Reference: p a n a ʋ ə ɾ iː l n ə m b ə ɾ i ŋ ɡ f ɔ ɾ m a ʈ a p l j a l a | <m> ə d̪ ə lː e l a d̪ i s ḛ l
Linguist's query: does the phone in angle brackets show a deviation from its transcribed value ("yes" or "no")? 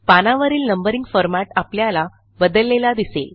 yes